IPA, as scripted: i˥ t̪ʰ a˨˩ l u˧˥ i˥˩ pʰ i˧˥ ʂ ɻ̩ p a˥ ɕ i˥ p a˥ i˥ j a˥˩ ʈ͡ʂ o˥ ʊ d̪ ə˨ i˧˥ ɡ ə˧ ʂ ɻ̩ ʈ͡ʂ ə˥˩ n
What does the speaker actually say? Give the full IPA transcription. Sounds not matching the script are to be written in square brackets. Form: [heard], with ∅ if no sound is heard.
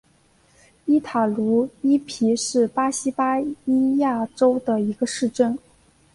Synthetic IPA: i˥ t̪ʰ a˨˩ l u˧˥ [i˥] pʰ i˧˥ ʂ ɻ̩ p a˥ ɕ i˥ p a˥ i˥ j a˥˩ ʈ͡ʂ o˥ ʊ d̪ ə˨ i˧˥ ɡ ə˧ ʂ ɻ̩ ʈ͡ʂ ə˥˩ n